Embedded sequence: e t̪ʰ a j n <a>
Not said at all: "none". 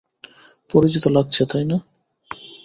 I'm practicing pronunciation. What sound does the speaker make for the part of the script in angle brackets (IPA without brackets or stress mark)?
a